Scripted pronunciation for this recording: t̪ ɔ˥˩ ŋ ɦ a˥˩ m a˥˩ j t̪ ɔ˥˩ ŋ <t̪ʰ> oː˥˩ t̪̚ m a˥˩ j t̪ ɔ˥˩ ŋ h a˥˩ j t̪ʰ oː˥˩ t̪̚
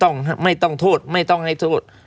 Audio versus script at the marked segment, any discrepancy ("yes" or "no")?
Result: no